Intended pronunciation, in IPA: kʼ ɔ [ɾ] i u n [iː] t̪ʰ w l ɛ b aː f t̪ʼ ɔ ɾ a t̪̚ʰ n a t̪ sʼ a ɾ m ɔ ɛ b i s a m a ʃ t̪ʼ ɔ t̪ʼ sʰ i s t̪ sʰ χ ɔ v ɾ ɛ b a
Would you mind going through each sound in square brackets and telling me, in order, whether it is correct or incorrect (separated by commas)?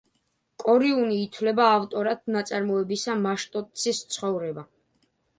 correct, correct